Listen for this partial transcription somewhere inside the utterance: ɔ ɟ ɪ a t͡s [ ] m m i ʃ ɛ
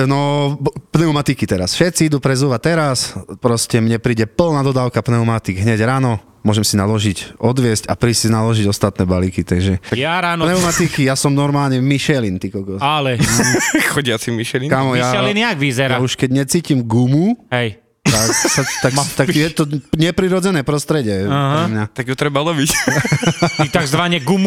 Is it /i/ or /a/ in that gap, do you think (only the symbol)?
i